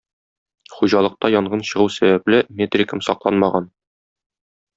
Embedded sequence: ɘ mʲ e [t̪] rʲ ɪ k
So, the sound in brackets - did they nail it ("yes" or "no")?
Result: yes